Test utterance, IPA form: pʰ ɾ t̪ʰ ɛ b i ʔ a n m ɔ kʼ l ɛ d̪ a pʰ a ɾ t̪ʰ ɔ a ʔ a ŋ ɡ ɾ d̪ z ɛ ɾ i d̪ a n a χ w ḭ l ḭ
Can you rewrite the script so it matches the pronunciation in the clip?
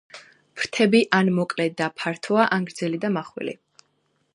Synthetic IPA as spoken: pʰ ɾ t̪ʰ ɛ b i ʔ a n m ɔ kʼ l ɛ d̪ a pʰ a ɾ t̪ʰ ɔ a ʔ a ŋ ɡ ɾ d̪ z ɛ l i d̪ a m a χ w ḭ l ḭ